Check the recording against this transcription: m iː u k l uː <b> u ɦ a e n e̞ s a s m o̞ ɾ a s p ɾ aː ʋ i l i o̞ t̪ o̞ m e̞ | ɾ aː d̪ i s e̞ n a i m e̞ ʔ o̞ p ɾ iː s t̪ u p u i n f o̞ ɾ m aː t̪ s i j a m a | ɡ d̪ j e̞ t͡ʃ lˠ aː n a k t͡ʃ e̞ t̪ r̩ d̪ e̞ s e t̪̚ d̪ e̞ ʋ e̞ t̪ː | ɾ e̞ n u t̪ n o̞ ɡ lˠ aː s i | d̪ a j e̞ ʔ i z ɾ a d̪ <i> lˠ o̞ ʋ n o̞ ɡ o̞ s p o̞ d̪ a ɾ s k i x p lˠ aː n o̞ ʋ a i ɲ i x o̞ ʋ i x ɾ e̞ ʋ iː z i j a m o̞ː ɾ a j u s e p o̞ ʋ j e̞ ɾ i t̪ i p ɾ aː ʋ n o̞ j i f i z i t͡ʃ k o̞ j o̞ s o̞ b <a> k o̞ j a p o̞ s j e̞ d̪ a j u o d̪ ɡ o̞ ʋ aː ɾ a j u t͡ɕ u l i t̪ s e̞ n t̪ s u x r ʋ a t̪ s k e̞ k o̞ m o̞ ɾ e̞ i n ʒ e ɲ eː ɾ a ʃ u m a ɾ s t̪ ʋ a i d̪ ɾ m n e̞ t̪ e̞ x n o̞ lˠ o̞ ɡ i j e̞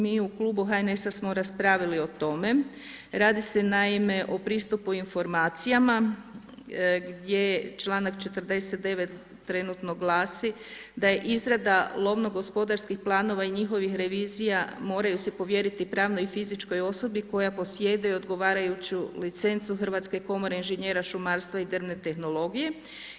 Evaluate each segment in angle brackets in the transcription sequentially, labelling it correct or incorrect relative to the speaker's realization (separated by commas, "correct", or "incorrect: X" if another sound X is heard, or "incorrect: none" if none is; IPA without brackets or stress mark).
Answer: correct, incorrect: a, incorrect: i